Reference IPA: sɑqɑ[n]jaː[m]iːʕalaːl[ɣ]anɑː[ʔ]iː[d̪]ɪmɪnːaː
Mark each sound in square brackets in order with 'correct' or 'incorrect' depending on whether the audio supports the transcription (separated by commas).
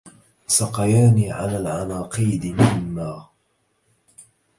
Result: incorrect, incorrect, incorrect, incorrect, correct